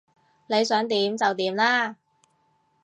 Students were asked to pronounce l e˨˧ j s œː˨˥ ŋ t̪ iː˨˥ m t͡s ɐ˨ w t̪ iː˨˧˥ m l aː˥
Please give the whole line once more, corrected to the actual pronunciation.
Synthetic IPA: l e˨˧ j s œː˨˥ ŋ t̪ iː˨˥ m t͡s ɐ˨ w t̪ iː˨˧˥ m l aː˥